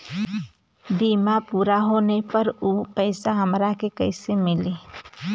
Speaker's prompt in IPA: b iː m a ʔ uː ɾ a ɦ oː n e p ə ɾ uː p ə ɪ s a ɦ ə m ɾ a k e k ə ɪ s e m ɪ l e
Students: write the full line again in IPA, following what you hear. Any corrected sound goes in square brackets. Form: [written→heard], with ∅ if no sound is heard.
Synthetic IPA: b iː m a [ʔ→p] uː ɾ a ɦ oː n e p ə ɾ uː p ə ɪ s a ɦ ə m ɾ a k e k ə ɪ s e m ɪ l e

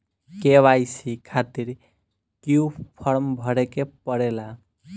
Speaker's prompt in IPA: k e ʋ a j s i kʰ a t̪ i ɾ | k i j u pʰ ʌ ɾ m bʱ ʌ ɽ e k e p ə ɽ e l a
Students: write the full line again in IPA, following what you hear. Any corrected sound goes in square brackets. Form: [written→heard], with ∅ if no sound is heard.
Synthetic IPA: k e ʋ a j s i kʰ a t̪ i ɾ | k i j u pʰ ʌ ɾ m bʱ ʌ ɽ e k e p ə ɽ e l a

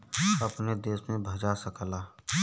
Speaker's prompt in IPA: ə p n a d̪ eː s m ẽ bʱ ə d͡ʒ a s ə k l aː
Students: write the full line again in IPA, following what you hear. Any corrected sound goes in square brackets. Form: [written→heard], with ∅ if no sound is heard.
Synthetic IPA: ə p n [a→e] d̪ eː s m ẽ bʱ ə d͡ʒ a s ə k l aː

